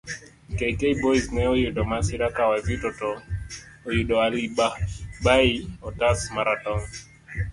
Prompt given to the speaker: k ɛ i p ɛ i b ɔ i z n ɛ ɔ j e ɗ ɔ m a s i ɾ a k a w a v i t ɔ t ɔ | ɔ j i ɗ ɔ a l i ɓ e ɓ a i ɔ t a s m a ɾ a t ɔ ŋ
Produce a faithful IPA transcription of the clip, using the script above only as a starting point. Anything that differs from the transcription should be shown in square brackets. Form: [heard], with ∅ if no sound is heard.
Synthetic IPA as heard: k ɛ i [k] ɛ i b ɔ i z n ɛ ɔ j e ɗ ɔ m a s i ɾ a k a w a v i t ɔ t ɔ | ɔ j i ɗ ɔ a l i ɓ [a] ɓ a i ɔ t a s m a ɾ a t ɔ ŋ